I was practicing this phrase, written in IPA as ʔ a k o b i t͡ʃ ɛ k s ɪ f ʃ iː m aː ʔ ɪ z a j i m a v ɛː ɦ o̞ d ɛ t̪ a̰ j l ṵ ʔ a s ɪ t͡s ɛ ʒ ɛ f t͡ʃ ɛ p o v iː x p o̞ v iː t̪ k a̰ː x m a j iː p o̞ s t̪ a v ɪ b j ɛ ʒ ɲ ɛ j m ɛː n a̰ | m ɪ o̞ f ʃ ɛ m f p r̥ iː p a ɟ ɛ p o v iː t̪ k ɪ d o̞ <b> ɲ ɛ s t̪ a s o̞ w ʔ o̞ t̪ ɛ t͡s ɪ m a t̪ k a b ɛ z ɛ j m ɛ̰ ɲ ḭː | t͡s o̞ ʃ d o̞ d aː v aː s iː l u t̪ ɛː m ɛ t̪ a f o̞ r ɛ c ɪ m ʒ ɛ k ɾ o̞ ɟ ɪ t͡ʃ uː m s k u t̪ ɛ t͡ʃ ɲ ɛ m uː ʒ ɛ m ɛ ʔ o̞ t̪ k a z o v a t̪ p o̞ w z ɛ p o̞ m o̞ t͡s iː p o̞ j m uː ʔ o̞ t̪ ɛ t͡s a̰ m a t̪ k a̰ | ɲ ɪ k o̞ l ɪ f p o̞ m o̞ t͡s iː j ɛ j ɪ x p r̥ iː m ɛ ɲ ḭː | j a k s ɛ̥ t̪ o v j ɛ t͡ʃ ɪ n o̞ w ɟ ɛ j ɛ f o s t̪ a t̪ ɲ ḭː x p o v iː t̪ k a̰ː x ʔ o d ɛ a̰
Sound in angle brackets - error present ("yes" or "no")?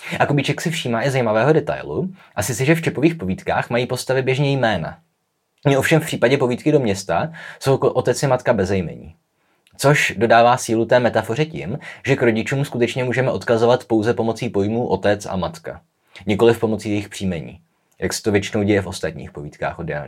yes